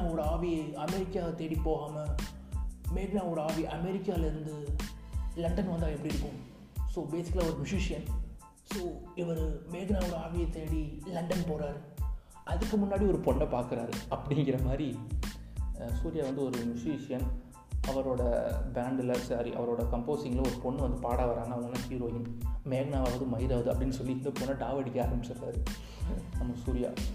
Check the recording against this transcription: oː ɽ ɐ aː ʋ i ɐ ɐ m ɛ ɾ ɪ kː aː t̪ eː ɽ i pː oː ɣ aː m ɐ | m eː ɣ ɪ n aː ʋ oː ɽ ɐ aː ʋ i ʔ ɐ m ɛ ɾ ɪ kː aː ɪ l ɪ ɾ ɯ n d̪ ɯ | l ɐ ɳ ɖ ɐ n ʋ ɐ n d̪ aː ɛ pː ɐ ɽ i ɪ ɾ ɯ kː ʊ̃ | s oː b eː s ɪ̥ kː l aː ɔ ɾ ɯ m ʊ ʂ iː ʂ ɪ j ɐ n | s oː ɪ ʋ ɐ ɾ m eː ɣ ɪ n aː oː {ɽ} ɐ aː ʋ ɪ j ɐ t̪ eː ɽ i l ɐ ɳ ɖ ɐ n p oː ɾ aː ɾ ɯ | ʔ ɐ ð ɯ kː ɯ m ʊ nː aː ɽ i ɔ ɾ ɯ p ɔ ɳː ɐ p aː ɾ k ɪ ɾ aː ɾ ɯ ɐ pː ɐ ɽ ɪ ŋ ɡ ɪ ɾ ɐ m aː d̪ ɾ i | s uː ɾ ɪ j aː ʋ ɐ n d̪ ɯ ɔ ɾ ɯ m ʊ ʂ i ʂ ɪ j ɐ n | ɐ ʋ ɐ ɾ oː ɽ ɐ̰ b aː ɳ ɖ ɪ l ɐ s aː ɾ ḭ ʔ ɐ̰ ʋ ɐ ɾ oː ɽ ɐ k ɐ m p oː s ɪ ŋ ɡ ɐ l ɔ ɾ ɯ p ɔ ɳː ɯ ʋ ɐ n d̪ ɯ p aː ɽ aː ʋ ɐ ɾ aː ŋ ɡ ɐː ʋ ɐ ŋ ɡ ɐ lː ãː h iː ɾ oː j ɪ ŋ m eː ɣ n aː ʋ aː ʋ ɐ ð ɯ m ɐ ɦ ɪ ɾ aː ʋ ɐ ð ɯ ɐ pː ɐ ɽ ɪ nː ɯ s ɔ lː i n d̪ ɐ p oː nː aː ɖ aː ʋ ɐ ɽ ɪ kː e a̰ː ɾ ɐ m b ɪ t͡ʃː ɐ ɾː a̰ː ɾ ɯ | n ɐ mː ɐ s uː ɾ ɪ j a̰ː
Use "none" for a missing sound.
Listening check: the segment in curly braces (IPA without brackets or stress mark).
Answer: ɽ